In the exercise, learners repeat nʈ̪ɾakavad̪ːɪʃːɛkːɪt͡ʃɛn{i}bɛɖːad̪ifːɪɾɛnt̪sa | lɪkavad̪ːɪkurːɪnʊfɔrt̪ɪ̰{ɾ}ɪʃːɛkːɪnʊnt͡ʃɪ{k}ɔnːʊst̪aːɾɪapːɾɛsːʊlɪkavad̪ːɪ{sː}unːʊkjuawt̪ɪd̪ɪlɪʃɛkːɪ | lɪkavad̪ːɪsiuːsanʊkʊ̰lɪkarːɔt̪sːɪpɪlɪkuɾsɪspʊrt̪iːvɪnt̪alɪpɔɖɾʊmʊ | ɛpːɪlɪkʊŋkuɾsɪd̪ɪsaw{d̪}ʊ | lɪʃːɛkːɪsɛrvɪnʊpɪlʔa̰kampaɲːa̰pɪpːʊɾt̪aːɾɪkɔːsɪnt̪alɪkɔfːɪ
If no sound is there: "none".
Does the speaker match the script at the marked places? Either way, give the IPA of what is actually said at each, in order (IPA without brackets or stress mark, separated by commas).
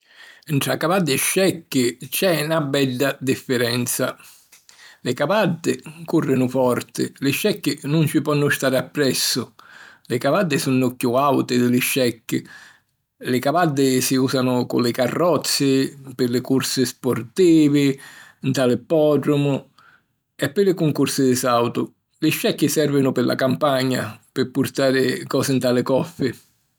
a, l, p, s, t̪